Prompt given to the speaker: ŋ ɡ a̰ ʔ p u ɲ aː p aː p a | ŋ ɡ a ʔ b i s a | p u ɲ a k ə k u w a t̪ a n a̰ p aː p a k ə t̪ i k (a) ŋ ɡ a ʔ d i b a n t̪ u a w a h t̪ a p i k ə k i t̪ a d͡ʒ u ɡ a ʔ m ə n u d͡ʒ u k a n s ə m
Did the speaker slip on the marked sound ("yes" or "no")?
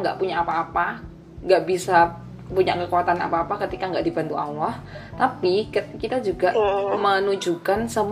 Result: no